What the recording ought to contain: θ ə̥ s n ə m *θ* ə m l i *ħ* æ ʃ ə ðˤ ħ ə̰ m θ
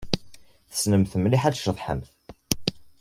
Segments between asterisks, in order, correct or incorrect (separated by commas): correct, correct